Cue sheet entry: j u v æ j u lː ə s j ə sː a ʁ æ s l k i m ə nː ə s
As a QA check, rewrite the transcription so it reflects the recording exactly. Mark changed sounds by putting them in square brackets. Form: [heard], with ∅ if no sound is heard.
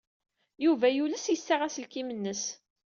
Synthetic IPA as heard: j u v æ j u [l] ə s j ə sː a ʁ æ s l k i m ə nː ə s